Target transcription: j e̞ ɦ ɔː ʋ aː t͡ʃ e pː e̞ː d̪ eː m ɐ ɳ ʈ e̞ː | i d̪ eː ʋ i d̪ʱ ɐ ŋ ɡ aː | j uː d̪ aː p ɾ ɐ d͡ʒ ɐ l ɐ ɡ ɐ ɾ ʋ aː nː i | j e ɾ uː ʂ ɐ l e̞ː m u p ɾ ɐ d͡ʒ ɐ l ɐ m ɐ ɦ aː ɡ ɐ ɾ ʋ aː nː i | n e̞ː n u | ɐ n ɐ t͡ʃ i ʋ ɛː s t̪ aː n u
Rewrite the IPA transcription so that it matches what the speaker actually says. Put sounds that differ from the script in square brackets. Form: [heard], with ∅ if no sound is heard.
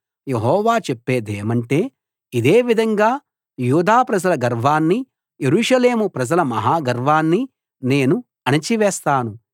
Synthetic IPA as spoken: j e̞ ɦ ɔː ʋ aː t͡ʃ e pː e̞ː d̪ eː m ɐ ɳ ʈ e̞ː | i d̪ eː ʋ i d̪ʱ ɐ ŋ ɡ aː | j uː d̪ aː p ɾ ɐ d͡ʒ ɐ l ɐ ɡ ɐ ɾ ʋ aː nː i | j e ɾ uː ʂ ɐ l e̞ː m u p ɾ ɐ d͡ʒ ɐ l ɐ m ɐ ɦ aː ɡ ɐ ɾ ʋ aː nː i | n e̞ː n u | ɐ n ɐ t͡ʃ i ʋ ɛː s t̪ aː n u